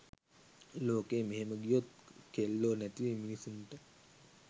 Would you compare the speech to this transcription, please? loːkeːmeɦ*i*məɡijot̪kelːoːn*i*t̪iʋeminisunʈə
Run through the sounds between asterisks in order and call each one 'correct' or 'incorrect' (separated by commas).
incorrect, incorrect